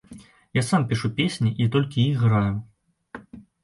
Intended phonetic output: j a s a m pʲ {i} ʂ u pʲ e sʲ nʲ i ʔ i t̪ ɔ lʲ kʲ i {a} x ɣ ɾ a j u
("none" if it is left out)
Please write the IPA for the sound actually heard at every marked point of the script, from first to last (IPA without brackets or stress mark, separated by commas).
i, i